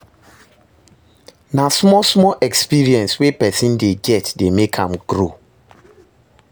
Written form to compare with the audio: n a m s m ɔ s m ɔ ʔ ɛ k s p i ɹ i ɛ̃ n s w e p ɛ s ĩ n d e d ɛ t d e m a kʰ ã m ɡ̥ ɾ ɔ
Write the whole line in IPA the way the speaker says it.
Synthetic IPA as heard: n a s m ɔ s m ɔ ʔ ɛ k s p i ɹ i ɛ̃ n s w e p ɛ s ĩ n d e ɡ ɛ t d e m e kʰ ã m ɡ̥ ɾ o